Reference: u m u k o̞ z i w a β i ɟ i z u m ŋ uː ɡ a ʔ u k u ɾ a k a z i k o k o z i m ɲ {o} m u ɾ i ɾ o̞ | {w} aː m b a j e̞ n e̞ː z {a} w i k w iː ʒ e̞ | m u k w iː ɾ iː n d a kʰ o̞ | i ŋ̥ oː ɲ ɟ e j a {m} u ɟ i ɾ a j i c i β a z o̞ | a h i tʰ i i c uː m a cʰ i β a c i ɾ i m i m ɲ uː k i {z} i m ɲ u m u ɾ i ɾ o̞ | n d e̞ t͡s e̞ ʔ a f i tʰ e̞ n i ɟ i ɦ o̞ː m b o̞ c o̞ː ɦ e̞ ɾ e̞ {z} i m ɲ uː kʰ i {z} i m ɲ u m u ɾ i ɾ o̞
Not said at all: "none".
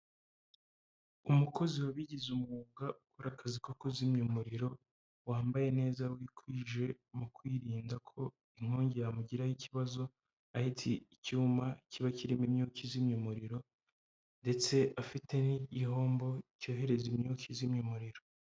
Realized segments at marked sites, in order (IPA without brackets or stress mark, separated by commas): u, w, a, m, z, z, z